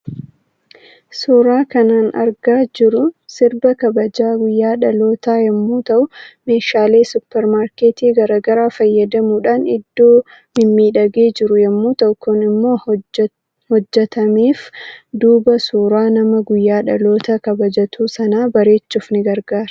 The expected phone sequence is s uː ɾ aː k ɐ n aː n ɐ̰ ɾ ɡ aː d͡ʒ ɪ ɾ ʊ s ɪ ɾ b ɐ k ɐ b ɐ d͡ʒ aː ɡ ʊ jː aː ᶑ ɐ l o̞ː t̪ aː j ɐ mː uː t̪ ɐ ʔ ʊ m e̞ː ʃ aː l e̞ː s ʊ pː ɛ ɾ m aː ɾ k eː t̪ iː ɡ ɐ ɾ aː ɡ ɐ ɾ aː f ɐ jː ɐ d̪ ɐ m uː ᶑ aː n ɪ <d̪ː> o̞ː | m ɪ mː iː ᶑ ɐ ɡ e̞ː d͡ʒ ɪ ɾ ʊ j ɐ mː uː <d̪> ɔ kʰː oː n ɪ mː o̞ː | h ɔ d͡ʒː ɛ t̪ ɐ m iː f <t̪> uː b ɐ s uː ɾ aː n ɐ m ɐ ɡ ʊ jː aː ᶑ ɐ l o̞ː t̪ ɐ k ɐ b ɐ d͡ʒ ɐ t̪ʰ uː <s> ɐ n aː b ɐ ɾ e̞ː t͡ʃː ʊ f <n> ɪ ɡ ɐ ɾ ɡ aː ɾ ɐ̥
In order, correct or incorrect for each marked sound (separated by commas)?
correct, incorrect, incorrect, correct, correct